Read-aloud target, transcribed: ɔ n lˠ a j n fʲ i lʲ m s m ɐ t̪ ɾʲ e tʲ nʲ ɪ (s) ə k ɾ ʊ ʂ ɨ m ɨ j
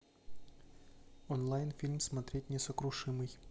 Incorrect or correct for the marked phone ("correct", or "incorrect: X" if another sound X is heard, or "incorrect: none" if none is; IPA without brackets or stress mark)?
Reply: correct